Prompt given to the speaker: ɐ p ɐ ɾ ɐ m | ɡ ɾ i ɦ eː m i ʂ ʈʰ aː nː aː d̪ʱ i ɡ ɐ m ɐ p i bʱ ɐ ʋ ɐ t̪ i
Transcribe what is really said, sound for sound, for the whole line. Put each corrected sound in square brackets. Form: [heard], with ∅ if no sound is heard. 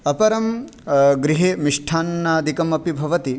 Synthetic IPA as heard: ɐ p ɐ ɾ ɐ m | ɡ ɾ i ɦ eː m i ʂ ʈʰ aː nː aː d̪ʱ i [k] ɐ m ɐ p i bʱ ɐ ʋ ɐ t̪ i